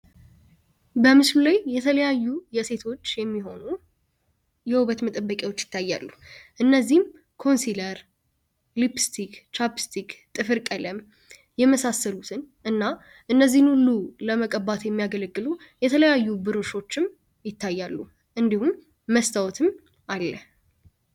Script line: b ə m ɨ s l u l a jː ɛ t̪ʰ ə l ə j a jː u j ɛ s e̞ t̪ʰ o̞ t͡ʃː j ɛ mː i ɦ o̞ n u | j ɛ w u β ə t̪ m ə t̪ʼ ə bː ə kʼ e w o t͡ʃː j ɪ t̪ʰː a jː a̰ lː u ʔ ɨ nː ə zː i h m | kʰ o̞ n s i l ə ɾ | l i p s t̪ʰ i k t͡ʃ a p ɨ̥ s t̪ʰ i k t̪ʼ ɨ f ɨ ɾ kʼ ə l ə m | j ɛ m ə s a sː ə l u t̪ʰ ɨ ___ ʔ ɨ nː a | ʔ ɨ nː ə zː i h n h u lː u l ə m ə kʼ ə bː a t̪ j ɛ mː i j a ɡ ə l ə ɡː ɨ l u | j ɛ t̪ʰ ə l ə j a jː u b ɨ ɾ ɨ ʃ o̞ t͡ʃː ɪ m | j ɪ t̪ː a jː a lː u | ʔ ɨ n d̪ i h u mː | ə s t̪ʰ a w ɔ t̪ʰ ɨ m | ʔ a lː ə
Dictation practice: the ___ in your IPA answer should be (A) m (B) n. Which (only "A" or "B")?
B